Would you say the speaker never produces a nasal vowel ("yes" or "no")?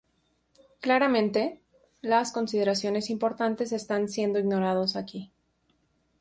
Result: no